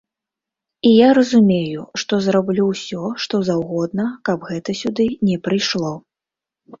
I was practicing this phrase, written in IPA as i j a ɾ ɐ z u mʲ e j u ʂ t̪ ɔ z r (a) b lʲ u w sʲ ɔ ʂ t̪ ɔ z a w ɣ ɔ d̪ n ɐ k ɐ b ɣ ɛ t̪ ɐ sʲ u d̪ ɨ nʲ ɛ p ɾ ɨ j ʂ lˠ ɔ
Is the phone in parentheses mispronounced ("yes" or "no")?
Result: no